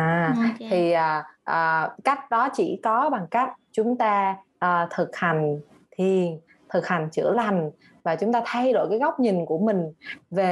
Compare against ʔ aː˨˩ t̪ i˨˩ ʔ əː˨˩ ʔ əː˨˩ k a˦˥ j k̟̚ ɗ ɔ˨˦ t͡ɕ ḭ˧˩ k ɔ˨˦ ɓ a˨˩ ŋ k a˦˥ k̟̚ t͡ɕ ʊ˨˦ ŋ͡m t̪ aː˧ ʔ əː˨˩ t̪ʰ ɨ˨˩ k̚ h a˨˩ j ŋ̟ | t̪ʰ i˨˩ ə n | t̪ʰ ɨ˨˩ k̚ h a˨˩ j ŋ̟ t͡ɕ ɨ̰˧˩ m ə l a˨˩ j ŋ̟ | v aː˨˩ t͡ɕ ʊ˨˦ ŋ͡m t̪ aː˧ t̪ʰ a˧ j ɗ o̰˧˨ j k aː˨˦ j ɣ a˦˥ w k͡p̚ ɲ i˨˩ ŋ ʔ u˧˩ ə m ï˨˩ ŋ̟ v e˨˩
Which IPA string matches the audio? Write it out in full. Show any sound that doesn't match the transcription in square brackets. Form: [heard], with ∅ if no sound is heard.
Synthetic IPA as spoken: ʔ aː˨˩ [t̪ʰ] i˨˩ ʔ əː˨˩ ʔ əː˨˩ k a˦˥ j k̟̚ ɗ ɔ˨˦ t͡ɕ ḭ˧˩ k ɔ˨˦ ɓ a˨˩ ŋ k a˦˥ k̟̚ t͡ɕ ʊ˨˦ ŋ͡m t̪ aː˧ ʔ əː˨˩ t̪ʰ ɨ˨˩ k̚ h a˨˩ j ŋ̟ | t̪ʰ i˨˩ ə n | t̪ʰ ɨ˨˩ k̚ h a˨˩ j ŋ̟ t͡ɕ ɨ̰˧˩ [∅] ə l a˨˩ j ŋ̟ | v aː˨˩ t͡ɕ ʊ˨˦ ŋ͡m t̪ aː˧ t̪ʰ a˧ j ɗ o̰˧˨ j k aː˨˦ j ɣ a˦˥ w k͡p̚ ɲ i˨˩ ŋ [k] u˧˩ ə m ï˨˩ ŋ̟ v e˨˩